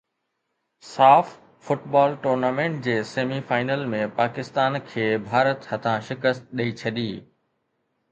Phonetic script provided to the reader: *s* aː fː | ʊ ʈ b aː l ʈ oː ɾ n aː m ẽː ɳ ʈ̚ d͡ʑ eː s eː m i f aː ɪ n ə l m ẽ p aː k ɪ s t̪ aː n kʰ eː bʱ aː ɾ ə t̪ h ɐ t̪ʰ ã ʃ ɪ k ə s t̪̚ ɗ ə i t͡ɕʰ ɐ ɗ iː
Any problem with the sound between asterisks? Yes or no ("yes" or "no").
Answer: no